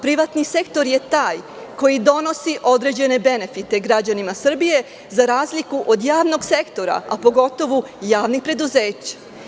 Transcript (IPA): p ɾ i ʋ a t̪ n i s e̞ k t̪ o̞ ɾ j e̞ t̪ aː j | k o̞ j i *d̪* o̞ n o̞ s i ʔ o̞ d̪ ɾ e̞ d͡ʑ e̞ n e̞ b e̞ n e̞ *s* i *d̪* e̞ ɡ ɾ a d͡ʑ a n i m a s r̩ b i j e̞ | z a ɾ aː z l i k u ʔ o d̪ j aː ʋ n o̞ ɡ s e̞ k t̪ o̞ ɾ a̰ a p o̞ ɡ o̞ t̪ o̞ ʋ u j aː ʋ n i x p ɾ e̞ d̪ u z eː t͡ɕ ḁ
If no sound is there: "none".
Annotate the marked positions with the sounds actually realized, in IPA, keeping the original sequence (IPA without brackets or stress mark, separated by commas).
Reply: d̪, f, t̪